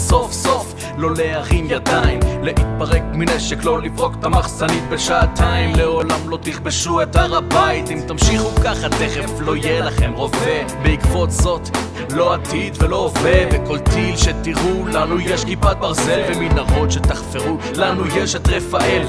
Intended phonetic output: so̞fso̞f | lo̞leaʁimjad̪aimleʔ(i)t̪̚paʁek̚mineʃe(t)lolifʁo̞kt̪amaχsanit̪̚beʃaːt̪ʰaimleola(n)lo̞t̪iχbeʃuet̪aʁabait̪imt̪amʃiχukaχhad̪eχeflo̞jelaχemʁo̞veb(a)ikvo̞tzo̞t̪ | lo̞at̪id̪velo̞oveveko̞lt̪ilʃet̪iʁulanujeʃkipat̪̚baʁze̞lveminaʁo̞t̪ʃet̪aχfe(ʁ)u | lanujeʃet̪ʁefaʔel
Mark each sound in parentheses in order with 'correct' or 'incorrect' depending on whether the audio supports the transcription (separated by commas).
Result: correct, incorrect, incorrect, incorrect, correct